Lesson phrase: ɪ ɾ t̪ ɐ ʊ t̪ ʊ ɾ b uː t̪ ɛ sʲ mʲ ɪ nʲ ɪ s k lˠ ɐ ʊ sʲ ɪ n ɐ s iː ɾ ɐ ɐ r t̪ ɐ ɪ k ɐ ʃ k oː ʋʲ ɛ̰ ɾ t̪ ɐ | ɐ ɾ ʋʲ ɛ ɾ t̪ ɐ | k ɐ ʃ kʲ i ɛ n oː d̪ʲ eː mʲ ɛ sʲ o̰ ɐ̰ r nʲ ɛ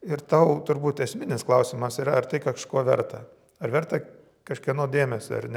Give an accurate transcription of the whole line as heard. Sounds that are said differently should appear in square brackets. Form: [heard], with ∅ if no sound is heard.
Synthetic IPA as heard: ɪ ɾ t̪ ɐ ʊ t̪ ʊ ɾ b uː t̪ ɛ sʲ mʲ ɪ nʲ ɪ s k lˠ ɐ ʊ sʲ ɪ [m] ɐ s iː ɾ ɐ ɐ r t̪ ɐ ɪ k ɐ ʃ k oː ʋʲ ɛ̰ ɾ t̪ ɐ | ɐ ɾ ʋʲ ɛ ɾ t̪ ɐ | k ɐ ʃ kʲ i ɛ n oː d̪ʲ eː mʲ ɛ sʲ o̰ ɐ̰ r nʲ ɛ

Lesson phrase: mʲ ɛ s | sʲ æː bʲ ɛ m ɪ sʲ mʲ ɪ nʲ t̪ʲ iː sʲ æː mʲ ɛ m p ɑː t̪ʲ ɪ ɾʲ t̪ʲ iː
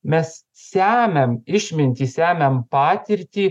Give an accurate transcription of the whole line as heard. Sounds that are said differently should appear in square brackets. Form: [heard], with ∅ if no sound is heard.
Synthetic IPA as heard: mʲ ɛ s | sʲ æː [mʲ] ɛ m ɪ [ʃʲ] mʲ ɪ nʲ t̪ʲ iː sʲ æː mʲ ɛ m p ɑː t̪ʲ ɪ ɾʲ t̪ʲ iː

